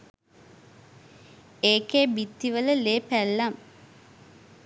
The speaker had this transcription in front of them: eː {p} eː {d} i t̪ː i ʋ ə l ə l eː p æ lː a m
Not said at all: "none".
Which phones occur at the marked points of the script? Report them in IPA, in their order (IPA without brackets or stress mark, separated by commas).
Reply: k, b